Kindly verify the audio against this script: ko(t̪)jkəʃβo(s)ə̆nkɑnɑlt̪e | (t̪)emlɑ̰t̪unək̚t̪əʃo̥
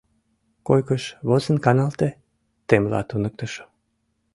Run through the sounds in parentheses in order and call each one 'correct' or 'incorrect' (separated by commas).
incorrect, incorrect, correct